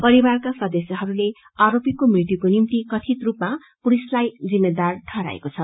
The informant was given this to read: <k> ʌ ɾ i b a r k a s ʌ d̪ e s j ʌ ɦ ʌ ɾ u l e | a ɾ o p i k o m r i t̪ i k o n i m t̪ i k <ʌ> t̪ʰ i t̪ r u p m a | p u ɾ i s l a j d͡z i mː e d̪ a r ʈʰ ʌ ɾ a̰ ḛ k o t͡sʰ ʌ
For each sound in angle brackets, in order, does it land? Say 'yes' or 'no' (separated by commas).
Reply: no, yes